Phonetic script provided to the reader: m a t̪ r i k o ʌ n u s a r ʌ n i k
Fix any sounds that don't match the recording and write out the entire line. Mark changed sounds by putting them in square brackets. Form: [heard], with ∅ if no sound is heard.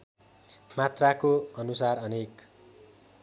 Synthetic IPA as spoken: m a t̪ r [a] k o ʌ n u s a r ʌ n [e] k